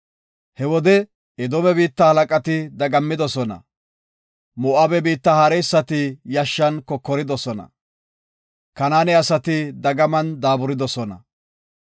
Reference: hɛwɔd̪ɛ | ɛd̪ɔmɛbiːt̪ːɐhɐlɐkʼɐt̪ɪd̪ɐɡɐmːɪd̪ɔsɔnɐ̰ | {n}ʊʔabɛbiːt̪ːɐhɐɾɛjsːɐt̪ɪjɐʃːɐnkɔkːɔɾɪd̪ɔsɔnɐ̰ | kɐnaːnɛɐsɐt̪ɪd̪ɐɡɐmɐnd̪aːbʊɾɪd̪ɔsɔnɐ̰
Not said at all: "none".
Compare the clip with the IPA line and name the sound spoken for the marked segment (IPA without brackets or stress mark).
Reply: m